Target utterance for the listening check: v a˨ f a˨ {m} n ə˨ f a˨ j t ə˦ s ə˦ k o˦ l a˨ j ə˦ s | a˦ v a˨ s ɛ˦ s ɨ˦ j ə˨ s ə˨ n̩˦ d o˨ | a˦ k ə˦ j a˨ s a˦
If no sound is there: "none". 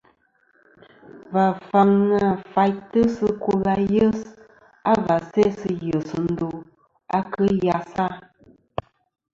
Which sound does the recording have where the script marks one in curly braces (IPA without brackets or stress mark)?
ŋ